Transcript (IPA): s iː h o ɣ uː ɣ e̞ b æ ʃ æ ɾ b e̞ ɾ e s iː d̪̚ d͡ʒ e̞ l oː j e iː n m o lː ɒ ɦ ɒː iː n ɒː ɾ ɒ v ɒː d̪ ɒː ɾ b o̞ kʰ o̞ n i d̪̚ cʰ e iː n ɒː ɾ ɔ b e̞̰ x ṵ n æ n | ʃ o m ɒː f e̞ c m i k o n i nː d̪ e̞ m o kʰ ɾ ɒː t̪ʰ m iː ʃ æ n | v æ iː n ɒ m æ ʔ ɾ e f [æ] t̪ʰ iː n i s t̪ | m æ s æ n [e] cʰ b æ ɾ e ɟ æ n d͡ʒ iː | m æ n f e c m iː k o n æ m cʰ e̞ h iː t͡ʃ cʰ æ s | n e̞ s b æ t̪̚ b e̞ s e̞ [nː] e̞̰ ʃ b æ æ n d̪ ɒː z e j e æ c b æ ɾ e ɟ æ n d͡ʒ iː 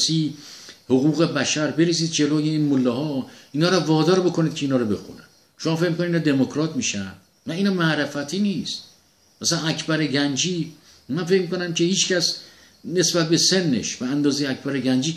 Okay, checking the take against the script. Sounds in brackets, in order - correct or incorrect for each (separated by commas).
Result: correct, incorrect, correct